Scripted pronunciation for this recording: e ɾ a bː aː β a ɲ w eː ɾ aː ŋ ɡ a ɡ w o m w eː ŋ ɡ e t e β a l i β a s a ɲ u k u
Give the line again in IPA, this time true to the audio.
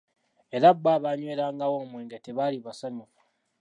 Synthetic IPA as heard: e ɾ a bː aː β a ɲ w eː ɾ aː ŋ ɡ a w o m w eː ŋ ɡ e t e β a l i β a s a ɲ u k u